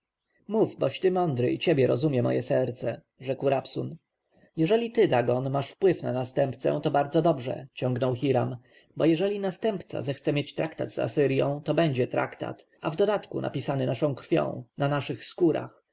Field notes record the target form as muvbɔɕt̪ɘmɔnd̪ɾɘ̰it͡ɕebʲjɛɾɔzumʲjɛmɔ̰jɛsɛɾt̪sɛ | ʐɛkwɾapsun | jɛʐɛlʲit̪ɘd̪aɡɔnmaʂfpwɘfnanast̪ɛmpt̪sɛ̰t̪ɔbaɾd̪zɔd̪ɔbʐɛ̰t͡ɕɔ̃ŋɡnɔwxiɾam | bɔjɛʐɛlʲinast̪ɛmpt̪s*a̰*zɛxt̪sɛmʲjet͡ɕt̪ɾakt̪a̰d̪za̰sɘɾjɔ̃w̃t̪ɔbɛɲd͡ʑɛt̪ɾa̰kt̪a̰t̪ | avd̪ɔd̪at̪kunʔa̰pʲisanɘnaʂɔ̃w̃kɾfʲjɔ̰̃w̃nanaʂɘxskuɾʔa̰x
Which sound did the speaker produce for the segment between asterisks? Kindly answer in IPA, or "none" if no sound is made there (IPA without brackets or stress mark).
a̰